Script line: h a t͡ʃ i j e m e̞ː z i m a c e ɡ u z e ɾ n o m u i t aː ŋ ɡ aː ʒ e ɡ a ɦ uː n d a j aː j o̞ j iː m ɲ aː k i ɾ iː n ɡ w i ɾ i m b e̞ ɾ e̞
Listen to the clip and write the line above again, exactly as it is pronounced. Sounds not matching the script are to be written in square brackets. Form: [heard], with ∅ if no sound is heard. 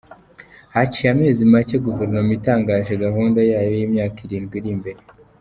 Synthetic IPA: h a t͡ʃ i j [a] m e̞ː z i m a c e ɡ u [v] e ɾ n o m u i t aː ŋ ɡ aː ʒ e ɡ a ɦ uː n d a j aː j o̞ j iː m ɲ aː k i ɾ iː n ɡ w i ɾ i m b e̞ ɾ e̞